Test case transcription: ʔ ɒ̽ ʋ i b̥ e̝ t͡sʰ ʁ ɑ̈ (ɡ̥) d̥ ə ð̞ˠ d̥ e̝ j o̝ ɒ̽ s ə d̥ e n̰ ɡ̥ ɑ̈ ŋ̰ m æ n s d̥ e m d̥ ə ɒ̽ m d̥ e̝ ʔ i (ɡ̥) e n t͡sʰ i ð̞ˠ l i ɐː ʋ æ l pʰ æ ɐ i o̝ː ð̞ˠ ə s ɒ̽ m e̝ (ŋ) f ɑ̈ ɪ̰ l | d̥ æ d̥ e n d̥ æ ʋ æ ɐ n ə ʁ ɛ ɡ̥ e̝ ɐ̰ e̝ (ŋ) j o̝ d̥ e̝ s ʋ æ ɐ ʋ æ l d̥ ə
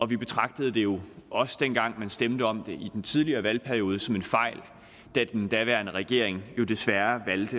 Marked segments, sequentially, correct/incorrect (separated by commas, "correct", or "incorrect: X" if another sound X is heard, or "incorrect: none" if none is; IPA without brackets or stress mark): correct, incorrect: d̥, incorrect: n, correct